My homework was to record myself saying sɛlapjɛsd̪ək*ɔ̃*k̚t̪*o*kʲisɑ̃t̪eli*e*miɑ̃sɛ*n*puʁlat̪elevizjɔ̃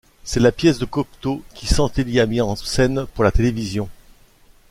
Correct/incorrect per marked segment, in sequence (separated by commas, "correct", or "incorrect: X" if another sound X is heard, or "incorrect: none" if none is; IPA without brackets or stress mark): incorrect: ɔ, correct, incorrect: a, correct